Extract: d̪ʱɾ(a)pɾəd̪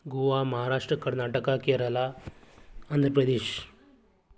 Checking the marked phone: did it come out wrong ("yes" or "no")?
yes